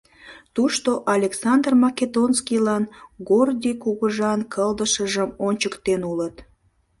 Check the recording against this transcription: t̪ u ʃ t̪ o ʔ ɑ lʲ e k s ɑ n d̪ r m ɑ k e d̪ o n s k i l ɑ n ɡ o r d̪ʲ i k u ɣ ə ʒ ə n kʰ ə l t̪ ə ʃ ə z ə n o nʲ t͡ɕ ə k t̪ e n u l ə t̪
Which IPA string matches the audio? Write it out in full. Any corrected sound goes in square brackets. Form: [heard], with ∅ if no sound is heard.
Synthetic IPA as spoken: t̪ u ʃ t̪ o ʔ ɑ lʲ e k s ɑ n d̪ r m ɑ k e d̪ o n s k i l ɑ n ɡ o r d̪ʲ i k u ɣ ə ʒ [ɑ] n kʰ ə l [d̪] ə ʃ ə [ʒ] ə [m] o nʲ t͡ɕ ə k t̪ e n u l ə t̪